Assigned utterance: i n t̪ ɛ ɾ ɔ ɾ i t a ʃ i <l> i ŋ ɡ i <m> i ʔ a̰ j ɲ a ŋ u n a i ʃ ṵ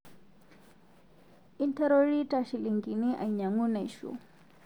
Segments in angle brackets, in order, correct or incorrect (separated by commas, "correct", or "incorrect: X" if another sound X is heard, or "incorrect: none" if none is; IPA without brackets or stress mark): correct, incorrect: n